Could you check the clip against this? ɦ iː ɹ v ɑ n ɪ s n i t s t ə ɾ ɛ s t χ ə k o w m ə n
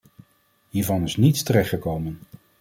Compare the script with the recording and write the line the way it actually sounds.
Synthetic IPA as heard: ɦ iː ɹ v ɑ n ɪ s n i t s t ə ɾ ɛ χ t χ ə k o w m ə n